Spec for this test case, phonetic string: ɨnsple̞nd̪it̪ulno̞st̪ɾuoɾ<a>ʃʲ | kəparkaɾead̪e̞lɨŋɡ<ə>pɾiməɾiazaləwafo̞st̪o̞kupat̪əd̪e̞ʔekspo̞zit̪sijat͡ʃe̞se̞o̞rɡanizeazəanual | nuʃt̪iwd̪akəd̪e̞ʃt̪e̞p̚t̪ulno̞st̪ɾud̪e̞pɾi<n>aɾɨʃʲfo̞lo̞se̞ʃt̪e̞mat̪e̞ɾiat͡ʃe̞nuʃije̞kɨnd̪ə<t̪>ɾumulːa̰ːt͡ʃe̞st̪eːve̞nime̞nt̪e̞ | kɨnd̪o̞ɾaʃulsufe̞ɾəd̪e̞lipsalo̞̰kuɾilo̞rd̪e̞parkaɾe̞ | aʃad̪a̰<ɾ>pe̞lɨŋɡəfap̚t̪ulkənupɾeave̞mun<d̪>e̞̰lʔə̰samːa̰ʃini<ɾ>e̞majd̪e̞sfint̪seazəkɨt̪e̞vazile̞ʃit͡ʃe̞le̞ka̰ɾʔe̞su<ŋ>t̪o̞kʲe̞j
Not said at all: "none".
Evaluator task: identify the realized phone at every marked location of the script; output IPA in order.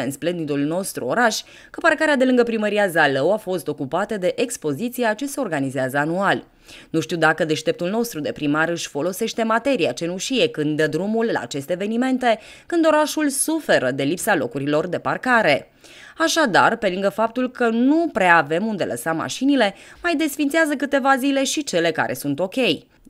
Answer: a, ə, m, d̪, r, d̪, l, n

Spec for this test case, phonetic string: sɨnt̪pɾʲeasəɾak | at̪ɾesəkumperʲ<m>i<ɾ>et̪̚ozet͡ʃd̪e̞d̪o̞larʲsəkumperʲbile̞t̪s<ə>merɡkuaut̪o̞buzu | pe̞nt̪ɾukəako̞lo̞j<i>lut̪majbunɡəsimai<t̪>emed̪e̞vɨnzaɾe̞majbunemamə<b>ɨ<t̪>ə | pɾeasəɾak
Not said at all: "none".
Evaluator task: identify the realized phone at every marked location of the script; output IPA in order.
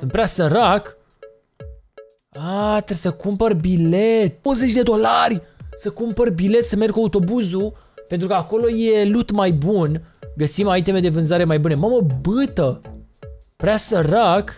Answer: b, l, ə, e, t̪, b, t̪

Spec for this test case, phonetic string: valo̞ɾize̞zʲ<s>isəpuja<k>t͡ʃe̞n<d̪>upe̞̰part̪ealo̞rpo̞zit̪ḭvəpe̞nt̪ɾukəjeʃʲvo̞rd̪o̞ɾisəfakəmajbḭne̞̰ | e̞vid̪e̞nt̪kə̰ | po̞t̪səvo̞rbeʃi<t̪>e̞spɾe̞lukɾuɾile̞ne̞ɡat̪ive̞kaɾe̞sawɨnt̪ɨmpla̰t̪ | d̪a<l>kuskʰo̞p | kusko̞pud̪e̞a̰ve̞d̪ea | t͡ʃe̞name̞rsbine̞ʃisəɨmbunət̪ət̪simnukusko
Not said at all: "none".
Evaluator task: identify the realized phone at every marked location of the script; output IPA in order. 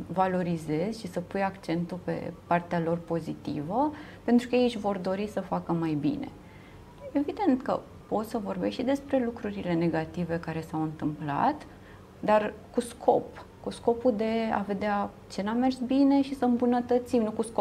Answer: ʃ, k, t̪, d̪, r

